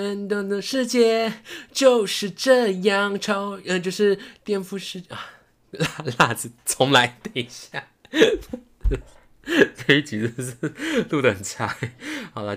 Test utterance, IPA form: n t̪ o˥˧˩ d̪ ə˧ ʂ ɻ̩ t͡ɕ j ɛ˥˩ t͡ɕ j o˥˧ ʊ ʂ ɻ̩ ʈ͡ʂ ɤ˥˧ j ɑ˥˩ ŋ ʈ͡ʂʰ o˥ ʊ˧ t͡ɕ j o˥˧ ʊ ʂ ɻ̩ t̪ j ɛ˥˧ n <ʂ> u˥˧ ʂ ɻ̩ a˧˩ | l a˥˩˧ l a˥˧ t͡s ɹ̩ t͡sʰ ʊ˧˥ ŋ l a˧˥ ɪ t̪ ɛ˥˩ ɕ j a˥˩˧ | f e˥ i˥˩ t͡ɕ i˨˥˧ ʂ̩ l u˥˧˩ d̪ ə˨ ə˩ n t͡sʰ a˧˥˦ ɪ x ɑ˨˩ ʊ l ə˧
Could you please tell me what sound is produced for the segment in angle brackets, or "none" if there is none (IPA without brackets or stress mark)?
f